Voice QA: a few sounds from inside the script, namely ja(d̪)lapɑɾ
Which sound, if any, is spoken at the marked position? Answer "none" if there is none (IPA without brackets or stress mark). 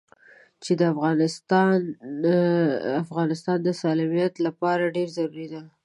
t̪